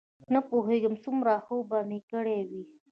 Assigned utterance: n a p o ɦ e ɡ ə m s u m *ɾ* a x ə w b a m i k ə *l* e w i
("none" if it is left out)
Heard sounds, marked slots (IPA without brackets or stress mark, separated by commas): ɾ, ɽ